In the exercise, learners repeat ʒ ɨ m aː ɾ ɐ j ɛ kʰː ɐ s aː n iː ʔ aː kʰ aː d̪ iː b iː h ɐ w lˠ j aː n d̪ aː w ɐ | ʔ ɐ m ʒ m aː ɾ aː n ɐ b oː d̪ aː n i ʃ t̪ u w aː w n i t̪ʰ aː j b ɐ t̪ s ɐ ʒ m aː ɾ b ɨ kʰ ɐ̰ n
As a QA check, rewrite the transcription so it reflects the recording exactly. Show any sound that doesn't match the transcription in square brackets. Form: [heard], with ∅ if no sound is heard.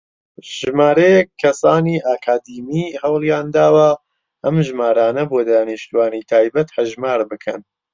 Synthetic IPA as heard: ʒ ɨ m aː ɾ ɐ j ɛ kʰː ɐ s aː n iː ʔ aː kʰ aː d̪ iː [m] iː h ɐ w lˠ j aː n d̪ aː w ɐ | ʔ ɐ m ʒ m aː ɾ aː n ɐ b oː d̪ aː n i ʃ t̪ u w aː [∅] n i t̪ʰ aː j b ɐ t̪ [h] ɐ ʒ m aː ɾ b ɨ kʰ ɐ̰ n